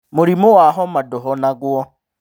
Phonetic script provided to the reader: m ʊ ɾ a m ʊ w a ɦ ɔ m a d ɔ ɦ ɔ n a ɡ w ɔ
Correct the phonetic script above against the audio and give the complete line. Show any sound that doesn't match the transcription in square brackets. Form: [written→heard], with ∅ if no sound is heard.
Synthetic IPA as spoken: m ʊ ɾ [a→i] m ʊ w a ɦ ɔ m a d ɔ ɦ ɔ n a ɡ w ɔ